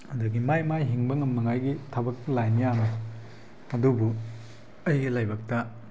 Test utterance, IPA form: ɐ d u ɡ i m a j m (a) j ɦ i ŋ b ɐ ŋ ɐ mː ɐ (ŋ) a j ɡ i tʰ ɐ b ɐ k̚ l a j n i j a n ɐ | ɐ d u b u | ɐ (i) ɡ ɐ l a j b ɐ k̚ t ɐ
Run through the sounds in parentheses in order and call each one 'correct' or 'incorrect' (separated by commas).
correct, correct, incorrect